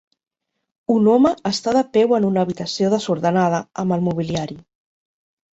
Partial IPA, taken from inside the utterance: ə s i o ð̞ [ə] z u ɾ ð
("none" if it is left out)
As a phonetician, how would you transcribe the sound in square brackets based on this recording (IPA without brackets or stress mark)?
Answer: ə